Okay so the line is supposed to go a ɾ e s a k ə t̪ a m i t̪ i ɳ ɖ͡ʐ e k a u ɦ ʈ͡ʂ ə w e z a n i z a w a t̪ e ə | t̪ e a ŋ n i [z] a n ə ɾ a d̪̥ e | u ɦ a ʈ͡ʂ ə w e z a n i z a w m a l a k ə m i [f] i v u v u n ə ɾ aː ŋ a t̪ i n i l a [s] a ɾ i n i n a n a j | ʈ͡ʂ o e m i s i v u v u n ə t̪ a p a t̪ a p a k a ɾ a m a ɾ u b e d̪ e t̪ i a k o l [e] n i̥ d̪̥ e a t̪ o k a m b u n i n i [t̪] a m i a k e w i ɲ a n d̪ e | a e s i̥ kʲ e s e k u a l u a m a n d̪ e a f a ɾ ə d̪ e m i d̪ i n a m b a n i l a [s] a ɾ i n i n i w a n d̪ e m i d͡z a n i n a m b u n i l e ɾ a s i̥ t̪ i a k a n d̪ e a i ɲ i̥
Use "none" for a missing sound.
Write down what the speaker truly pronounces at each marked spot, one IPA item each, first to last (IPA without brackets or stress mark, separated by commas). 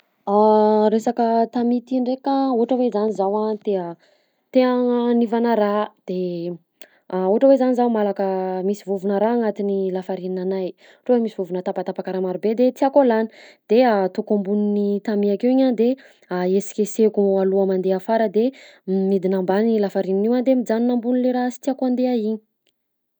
v, s, f, a, t̪, f